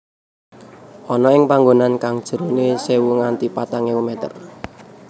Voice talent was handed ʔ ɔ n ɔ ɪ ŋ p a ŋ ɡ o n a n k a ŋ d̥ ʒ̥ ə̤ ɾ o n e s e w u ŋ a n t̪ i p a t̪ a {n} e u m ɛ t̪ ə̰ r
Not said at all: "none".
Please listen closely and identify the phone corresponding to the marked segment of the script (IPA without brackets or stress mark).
ŋ